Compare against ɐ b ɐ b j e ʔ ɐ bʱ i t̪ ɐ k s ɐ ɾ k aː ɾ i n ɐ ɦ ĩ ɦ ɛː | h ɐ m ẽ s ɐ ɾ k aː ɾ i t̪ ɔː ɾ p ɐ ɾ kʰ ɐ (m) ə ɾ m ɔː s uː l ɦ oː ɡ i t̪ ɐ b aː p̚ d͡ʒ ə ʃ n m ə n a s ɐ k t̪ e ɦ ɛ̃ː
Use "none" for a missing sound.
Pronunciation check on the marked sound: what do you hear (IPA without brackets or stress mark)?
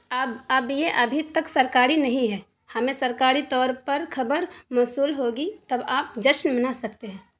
b